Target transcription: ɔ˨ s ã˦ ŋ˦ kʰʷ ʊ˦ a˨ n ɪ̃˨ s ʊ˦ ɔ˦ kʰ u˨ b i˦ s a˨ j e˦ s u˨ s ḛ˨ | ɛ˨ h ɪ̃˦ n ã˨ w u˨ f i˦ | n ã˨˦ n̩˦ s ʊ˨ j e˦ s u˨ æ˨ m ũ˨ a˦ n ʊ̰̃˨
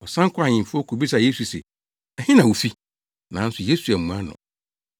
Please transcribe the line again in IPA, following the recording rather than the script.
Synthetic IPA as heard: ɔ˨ s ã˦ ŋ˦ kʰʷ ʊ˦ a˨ ɲ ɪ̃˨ f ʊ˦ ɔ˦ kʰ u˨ b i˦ s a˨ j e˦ s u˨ s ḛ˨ | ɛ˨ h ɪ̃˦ n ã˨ w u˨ f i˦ | n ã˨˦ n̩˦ s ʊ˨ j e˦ s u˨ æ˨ m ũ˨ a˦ n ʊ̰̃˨